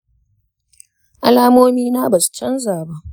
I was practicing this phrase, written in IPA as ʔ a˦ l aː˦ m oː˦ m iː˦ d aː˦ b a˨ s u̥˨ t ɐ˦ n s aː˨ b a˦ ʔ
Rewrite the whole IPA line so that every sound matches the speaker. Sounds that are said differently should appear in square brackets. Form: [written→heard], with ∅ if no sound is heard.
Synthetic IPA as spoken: ʔ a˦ l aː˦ m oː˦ m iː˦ [d→n] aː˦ b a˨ s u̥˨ [t→t͡ʃ] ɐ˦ n [s→z] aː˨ b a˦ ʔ